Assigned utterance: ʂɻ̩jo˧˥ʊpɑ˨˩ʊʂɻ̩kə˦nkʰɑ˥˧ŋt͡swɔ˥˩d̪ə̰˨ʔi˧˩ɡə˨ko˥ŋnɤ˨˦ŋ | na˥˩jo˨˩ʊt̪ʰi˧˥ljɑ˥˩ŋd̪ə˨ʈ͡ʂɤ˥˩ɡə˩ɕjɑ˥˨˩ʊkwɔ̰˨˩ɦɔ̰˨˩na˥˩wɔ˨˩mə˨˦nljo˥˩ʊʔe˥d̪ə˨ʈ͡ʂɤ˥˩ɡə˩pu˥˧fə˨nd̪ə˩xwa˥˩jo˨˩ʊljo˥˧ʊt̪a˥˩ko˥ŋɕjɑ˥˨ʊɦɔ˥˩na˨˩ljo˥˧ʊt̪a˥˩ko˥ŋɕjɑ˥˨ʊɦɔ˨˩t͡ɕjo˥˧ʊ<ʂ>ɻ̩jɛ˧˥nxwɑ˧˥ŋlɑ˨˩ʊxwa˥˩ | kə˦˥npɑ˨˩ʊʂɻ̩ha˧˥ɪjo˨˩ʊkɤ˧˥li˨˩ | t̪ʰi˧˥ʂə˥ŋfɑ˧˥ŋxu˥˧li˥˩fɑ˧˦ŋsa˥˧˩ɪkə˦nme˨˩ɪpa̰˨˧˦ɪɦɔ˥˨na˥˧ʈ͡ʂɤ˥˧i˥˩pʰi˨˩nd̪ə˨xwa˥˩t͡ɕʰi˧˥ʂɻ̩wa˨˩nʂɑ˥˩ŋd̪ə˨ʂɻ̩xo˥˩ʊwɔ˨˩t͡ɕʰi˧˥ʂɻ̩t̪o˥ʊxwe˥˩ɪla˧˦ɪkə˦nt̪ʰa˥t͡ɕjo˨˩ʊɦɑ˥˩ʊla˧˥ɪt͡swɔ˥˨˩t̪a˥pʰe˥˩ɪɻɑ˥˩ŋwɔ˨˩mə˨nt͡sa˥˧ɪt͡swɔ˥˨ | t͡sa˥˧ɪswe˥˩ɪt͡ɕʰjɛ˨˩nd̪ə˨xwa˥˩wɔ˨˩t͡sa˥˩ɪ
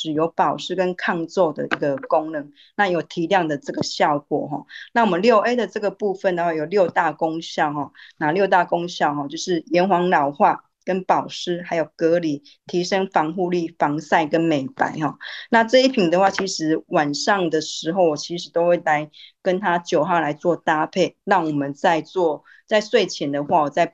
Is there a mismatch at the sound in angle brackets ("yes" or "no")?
no